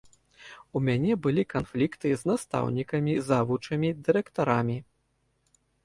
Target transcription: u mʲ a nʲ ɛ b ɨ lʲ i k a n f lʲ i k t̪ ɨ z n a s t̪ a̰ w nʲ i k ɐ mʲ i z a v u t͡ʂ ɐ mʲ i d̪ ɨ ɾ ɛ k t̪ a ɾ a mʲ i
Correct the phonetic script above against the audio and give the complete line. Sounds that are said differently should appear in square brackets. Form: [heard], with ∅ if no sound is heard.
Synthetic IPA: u mʲ a nʲ ɛ b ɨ lʲ i k a n f lʲ i k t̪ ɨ z n a s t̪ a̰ w nʲ i k ɐ mʲ i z a v u t͡ʂ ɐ mʲ i d̪ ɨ ɾ ɛ k t̪ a ɾ a mʲ i